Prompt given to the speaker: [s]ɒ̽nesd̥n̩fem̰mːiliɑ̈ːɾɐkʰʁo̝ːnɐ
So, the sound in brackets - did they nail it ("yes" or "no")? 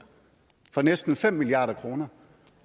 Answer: no